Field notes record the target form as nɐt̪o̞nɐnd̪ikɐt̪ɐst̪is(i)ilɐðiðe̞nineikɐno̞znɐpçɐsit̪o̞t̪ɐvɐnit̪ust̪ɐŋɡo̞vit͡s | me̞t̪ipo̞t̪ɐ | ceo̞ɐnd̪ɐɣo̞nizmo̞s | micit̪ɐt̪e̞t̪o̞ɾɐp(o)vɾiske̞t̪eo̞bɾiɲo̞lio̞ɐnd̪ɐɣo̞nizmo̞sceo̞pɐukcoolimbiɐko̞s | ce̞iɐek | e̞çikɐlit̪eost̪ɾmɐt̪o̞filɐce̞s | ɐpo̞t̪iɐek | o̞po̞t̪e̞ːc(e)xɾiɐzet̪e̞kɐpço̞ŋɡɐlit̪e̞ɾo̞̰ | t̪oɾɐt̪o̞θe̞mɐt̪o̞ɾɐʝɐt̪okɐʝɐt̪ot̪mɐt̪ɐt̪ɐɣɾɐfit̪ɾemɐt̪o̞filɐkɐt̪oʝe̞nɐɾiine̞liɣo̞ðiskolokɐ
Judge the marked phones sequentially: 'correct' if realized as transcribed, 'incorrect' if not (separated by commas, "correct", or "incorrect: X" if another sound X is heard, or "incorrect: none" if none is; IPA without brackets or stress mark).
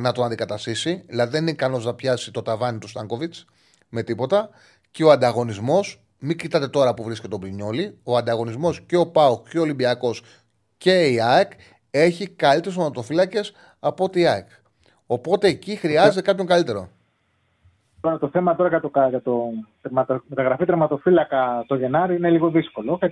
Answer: correct, incorrect: u, incorrect: i